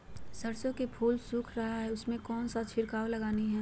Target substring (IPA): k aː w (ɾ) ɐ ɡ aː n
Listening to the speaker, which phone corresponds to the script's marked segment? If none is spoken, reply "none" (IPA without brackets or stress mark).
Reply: l